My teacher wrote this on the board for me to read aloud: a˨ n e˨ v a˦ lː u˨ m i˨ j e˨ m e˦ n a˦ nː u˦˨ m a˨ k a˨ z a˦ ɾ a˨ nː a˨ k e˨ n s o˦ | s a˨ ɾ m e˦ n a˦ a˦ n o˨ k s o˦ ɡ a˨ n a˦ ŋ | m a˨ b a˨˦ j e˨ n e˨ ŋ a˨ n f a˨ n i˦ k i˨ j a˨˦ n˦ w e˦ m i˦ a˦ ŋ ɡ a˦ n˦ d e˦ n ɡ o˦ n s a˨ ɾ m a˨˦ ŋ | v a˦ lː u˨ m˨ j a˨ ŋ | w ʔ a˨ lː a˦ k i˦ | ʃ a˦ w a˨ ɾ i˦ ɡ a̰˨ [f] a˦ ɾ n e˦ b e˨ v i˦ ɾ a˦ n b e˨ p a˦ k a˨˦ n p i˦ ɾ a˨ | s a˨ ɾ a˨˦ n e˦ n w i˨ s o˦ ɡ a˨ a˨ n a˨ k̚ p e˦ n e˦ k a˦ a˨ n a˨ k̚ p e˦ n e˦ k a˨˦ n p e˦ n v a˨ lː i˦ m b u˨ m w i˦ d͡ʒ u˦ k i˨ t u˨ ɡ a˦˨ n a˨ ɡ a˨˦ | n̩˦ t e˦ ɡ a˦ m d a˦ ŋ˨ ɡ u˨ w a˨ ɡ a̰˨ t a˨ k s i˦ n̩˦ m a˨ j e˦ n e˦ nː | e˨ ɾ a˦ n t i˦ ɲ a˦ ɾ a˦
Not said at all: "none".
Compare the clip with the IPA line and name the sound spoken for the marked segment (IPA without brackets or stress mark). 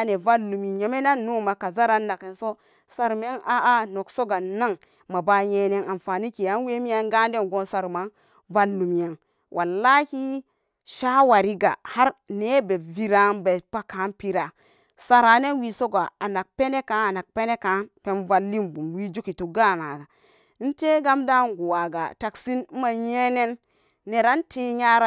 h